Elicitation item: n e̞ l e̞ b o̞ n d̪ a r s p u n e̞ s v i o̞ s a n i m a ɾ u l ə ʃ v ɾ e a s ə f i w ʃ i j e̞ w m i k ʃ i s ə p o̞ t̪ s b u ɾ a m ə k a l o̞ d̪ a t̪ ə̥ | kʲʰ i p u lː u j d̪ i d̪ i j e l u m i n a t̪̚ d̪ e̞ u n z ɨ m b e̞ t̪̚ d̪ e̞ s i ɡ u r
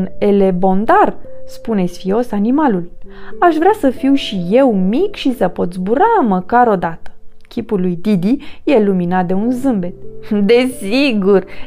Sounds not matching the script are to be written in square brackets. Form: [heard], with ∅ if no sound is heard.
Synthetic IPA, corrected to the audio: n e̞ l e̞ b o̞ n d̪ a r s p u n e̞ s [f] i o̞ s a n i m a [l] u l [a] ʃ v ɾ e a s ə f i w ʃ i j e̞ w m i k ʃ i s ə p o̞ t̪ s b u ɾ a m ə k a [ɾ] o̞ d̪ a t̪ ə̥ | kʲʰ i p u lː u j d̪ i d̪ i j e l u m i n a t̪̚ d̪ e̞ u n z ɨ m b e̞ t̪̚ d̪ e̞ s i ɡ u r